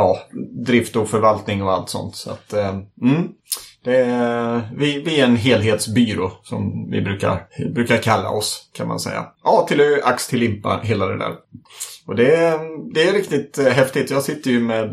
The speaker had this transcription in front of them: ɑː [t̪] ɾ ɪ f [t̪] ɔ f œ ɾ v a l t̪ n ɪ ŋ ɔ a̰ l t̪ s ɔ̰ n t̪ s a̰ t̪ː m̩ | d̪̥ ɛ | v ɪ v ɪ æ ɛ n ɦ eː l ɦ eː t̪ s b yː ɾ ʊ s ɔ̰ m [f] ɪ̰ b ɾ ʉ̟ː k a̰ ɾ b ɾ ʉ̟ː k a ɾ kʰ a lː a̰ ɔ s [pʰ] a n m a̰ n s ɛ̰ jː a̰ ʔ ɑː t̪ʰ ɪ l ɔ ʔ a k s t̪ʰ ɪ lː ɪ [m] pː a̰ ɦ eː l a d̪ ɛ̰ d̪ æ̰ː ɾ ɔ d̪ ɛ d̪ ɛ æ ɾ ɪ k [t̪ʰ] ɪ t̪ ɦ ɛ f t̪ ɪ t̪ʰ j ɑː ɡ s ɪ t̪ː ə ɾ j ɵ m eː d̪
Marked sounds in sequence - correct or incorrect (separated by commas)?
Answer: incorrect, correct, incorrect, incorrect, correct, incorrect